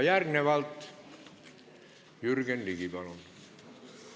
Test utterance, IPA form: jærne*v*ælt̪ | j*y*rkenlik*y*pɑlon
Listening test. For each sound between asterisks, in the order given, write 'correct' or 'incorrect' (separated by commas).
incorrect, correct, incorrect